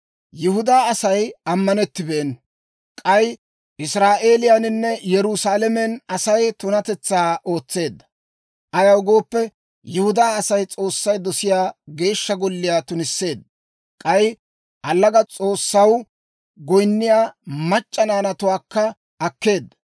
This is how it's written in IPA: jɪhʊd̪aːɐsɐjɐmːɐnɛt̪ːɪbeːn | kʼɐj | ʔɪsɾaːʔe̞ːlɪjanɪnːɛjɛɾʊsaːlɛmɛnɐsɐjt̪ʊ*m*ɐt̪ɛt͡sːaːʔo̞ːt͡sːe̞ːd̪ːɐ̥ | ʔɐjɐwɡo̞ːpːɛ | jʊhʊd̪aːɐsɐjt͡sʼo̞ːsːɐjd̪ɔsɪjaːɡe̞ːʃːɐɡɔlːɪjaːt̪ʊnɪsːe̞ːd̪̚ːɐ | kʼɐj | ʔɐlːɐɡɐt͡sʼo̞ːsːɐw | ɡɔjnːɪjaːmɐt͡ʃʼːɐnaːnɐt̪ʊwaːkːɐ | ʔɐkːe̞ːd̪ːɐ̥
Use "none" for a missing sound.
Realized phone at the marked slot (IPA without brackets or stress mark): n